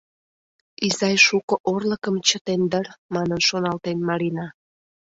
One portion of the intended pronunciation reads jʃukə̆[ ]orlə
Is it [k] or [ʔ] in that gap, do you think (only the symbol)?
ʔ